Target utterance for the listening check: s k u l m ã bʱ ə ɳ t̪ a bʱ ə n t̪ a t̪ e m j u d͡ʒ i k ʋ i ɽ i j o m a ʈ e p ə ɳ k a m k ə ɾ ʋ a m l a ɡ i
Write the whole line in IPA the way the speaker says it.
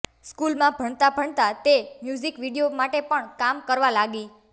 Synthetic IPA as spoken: s k u l m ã bʱ ə ɳ t̪ a bʱ ə ɳ t̪ a t̪ e m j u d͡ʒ i k ʋ i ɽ i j o m a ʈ e p ə ɳ k a m k ə ɾ ʋ a l a ɡ i